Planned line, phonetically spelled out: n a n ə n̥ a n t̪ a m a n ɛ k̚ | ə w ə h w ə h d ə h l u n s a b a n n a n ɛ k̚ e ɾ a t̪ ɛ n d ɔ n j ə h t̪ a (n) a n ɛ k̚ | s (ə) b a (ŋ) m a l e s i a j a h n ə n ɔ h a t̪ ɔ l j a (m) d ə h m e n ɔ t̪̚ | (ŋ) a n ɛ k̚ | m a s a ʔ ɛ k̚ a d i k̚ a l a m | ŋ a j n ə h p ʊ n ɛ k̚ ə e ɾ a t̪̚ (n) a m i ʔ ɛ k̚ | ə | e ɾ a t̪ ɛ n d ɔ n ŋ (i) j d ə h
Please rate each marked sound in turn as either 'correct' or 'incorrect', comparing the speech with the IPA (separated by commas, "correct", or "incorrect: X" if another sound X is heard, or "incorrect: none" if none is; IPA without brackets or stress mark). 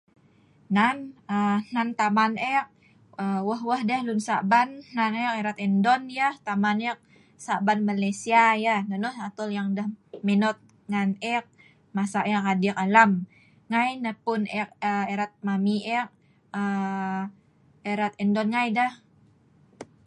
incorrect: m, incorrect: a, incorrect: n, incorrect: ŋ, correct, incorrect: m, incorrect: a